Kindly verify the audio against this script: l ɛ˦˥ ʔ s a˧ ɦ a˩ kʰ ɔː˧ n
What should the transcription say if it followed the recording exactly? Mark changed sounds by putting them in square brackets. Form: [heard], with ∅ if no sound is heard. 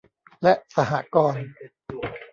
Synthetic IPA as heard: l ɛ˦˥ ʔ s a˧ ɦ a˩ [k] ɔː˧ n